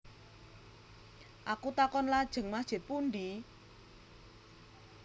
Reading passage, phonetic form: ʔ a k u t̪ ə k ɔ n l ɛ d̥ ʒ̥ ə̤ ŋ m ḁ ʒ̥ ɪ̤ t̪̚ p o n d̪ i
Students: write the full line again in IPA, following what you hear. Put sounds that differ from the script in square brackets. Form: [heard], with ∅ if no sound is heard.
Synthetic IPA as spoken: ʔ a k u t̪ [a] k ɔ n l [a] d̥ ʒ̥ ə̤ ŋ m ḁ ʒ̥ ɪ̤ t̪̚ p [u] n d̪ i